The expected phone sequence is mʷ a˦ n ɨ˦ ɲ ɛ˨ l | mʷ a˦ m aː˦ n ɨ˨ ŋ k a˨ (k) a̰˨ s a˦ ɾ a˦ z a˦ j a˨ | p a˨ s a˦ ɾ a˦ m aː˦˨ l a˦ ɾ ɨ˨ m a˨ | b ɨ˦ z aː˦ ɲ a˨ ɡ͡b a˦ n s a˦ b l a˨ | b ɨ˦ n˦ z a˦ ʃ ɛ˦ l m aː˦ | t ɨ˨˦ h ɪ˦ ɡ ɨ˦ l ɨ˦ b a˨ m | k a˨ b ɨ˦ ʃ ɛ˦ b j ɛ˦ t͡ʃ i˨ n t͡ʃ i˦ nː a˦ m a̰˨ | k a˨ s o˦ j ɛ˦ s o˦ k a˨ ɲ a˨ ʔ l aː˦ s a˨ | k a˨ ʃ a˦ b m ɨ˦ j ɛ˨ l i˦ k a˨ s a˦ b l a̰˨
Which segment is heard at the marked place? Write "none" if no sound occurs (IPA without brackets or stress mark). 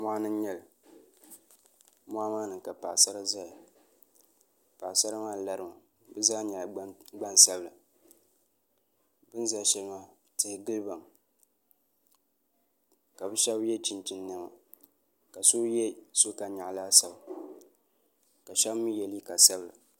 p